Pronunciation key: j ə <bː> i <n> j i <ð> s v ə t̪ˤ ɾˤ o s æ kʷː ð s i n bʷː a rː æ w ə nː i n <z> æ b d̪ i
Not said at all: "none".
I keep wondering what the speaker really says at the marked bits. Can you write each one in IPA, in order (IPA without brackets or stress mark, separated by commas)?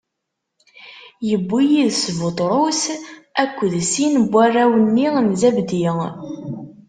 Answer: bː, none, ð, z